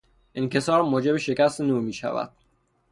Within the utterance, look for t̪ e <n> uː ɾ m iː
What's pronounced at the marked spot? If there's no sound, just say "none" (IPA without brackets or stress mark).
n